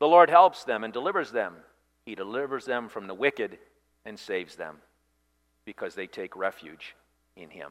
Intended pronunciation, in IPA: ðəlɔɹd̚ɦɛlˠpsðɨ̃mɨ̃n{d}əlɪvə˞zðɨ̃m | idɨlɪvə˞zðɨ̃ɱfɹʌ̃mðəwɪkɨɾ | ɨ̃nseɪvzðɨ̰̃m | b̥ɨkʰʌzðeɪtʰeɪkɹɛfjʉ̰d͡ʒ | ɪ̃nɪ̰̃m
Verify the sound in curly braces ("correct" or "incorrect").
correct